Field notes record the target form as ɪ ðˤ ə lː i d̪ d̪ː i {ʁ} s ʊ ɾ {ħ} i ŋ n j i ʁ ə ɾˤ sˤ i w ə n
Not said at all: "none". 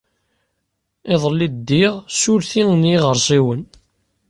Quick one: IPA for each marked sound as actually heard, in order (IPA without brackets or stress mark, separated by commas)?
ʁ, θ